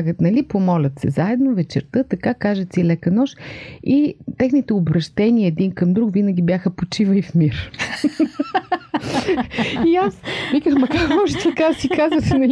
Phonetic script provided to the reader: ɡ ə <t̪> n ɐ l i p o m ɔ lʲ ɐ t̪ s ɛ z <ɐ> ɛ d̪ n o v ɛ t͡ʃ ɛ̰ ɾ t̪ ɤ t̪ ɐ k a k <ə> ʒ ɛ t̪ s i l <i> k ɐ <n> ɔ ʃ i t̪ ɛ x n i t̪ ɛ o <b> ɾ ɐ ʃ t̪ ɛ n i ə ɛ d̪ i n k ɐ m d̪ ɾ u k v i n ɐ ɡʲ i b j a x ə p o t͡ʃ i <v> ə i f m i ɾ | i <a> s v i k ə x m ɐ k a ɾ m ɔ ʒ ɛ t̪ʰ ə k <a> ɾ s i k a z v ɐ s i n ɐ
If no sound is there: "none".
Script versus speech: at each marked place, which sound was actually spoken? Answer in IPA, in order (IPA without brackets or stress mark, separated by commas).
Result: t̪, a, a, ɛ, n, b, v, a, a